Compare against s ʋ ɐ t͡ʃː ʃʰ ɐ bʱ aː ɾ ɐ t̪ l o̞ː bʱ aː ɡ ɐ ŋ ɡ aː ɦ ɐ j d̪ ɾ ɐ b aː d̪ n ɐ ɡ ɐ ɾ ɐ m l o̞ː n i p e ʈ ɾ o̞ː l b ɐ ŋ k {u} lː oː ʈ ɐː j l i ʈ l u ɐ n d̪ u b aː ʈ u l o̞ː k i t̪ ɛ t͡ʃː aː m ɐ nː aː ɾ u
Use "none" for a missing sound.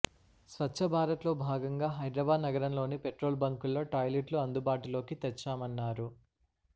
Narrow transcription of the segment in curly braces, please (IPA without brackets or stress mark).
u